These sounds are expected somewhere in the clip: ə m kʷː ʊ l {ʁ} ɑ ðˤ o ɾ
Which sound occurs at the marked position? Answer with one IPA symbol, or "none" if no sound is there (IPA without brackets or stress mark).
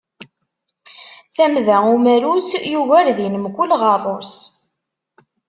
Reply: ʁ